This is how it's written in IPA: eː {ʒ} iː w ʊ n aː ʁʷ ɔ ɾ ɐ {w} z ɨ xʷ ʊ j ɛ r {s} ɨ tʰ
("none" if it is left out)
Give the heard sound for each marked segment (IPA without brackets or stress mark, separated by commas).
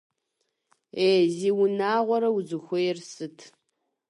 z, w, s